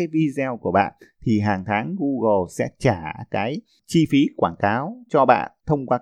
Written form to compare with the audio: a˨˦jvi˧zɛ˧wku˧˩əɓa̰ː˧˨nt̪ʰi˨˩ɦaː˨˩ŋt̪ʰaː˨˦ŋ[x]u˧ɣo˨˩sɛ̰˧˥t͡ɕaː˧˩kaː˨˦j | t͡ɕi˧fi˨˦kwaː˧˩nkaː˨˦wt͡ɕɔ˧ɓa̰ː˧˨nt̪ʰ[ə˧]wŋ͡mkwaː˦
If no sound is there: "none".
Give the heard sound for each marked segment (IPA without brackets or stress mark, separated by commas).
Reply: ɣ, ə˧